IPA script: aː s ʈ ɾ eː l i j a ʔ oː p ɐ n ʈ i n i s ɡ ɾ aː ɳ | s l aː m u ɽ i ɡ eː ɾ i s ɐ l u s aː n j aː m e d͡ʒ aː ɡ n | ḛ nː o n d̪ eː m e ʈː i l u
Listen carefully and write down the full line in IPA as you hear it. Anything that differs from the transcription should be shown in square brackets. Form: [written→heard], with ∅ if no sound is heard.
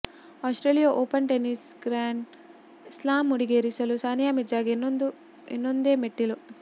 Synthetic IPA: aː s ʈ ɾ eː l i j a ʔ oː p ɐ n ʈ [i→e] n i s ɡ ɾ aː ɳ | s l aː m u ɽ i ɡ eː ɾ i s ɐ l u s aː n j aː m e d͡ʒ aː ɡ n | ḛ nː o n d̪ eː m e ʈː i l u

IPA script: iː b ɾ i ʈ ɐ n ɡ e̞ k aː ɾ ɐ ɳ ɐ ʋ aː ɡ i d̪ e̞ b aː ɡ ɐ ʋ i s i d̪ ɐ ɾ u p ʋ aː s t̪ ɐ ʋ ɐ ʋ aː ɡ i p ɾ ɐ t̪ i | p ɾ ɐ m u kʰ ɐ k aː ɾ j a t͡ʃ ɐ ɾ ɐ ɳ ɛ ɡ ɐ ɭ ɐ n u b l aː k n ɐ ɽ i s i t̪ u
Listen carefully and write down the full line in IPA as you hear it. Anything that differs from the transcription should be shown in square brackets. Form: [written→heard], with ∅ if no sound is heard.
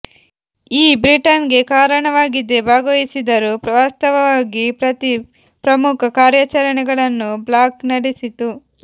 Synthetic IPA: iː b ɾ i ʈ ɐ n ɡ e̞ k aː ɾ ɐ ɳ ɐ ʋ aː ɡ i d̪ e̞ b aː ɡ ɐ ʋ i s i d̪ ɐ ɾ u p ʋ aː s t̪ ɐ ʋ ɐ ʋ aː ɡ i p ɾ ɐ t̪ i | p ɾ ɐ m u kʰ ɐ k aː ɾ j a t͡ʃ ɐ ɾ ɐ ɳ ɛ ɡ ɐ ɭ ɐ [n→nː] u b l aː k n ɐ ɽ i s i t̪ u

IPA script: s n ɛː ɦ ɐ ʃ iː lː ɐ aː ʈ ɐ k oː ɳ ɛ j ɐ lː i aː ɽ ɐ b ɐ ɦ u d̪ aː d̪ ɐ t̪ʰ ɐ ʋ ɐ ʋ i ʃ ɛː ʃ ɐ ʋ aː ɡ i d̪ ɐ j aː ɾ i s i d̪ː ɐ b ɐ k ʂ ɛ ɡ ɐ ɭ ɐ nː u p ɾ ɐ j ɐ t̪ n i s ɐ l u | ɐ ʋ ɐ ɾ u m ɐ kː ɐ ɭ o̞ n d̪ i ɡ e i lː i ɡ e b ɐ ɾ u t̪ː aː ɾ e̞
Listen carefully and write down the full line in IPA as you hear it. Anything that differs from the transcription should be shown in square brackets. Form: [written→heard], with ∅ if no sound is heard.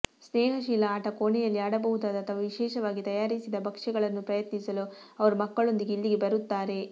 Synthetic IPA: s n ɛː ɦ ɐ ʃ iː [lː→l] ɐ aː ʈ ɐ k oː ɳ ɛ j ɐ lː i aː ɽ ɐ b ɐ ɦ u d̪ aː d̪ ɐ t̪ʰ ɐ ʋ ɐ ʋ i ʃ ɛː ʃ ɐ ʋ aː ɡ i [d̪→t̪] ɐ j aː ɾ i s i [d̪ː→d̪] ɐ b ɐ k ʂ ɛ ɡ ɐ ɭ ɐ nː u p ɾ ɐ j ɐ t̪ n i s ɐ l u | ɐ ʋ ɐ ɾ u m ɐ kː ɐ ɭ o̞ n d̪ i ɡ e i lː i ɡ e b ɐ ɾ u t̪ː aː ɾ e̞

